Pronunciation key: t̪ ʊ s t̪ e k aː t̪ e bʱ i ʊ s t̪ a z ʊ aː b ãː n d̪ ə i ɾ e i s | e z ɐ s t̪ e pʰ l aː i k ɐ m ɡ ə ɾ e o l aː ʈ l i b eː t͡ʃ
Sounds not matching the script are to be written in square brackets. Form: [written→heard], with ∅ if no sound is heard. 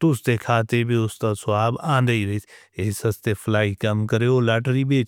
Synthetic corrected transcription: t̪ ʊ s t̪ e [k→kʰ] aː t̪ e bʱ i ʊ s t̪ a [z→s] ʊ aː b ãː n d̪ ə i ɾ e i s | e [z→s] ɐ s t̪ e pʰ l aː i k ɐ m [ɡ→k] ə ɾ e o l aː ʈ [l→ɾ] i b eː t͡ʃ